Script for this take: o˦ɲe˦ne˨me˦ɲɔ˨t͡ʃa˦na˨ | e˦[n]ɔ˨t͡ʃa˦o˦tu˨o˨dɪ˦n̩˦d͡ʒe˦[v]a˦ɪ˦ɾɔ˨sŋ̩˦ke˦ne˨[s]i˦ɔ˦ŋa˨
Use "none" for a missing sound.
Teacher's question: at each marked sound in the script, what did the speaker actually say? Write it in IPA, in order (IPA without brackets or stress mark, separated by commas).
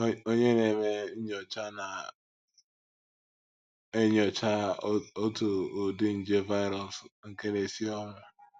ɲ, v, s